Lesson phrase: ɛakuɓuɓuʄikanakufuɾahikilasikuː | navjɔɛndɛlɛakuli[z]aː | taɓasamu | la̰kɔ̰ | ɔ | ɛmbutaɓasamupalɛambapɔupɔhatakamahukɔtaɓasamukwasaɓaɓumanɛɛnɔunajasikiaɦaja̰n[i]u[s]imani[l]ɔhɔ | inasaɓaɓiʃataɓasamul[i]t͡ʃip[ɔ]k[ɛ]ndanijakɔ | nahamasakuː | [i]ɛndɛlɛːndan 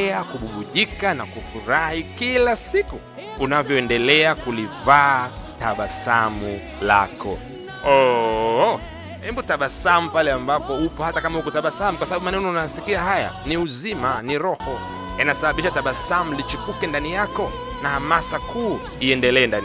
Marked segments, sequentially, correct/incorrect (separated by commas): incorrect, correct, incorrect, incorrect, correct, incorrect, correct, correct